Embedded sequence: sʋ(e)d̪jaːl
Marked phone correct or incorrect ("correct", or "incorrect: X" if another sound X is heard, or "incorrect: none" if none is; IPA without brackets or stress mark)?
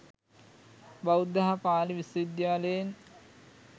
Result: incorrect: i